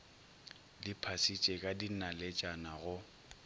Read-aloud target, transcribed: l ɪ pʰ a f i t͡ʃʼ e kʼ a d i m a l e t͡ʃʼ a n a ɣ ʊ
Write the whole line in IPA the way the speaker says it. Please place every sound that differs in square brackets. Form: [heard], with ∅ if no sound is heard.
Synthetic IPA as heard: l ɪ pʰ a [s] i t͡ʃʼ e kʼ a d i [n] a l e t͡ʃʼ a n a ɣ ʊ